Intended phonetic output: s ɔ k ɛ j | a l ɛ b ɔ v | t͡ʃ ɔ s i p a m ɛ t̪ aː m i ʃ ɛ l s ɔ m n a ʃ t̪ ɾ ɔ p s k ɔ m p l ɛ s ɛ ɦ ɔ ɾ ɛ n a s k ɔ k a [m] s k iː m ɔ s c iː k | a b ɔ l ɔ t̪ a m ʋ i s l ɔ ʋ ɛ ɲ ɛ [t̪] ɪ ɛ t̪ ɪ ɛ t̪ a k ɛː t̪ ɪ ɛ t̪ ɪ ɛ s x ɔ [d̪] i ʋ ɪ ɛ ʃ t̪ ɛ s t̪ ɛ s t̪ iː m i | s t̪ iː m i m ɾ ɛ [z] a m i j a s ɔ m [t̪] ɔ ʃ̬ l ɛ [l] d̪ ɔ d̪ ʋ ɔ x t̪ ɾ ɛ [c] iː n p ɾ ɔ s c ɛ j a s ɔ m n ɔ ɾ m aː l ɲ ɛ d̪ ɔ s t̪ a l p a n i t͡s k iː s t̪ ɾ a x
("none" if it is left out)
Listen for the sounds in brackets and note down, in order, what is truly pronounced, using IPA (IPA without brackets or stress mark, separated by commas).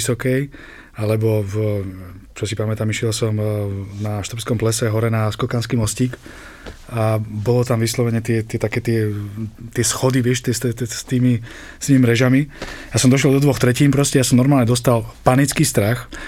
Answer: n, t̪, d̪, ʒ, d̪, l, c